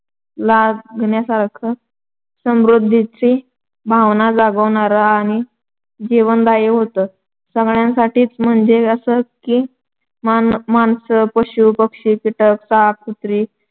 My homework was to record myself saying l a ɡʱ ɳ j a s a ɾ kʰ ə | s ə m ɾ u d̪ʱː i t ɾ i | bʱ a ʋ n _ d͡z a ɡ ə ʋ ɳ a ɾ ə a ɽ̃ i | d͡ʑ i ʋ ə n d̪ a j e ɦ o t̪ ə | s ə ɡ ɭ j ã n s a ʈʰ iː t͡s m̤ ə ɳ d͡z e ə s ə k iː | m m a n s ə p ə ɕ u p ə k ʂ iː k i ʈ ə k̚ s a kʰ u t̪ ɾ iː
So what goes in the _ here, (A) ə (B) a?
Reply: B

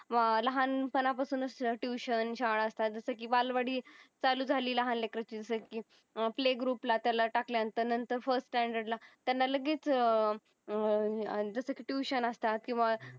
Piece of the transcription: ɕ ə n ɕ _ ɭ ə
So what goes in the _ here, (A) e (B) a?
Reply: B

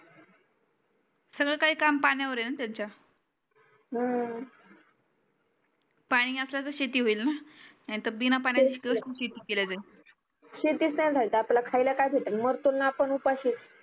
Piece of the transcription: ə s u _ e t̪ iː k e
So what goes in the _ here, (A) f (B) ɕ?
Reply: B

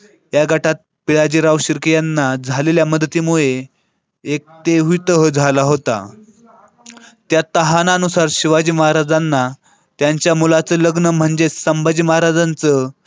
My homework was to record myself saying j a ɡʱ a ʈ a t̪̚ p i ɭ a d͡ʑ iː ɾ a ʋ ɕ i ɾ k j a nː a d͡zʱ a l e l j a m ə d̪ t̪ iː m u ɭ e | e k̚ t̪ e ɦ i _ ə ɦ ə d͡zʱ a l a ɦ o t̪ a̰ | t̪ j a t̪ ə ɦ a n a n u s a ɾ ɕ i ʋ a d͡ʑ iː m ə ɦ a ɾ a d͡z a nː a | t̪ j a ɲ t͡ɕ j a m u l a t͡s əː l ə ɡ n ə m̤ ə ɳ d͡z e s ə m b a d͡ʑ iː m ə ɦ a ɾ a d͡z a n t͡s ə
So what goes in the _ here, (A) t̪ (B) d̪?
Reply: A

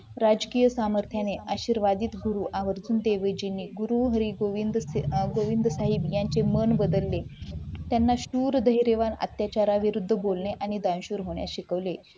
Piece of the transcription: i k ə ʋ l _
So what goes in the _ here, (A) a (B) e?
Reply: B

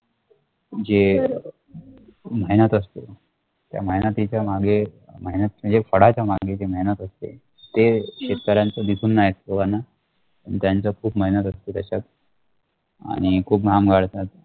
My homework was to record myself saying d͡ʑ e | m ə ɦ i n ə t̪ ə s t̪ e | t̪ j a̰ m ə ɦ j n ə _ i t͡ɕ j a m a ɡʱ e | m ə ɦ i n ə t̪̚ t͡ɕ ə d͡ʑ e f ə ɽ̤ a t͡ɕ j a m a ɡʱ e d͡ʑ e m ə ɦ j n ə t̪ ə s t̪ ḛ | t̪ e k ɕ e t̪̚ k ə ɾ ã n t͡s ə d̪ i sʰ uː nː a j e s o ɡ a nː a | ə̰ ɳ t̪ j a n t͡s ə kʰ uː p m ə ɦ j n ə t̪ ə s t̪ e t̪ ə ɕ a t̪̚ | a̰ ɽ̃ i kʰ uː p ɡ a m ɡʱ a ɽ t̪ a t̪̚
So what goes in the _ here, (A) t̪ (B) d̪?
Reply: A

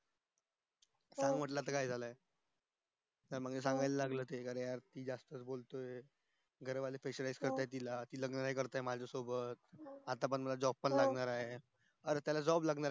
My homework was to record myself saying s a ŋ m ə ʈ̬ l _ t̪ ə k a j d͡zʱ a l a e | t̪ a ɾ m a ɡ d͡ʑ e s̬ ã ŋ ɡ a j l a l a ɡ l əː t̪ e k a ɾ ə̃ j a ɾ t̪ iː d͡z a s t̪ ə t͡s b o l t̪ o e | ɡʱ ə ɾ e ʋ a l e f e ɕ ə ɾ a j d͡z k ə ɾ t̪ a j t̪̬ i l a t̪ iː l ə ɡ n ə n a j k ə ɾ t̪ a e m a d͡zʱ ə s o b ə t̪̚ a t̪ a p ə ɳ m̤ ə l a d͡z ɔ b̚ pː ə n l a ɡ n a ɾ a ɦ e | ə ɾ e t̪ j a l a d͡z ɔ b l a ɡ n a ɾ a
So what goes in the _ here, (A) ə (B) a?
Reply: B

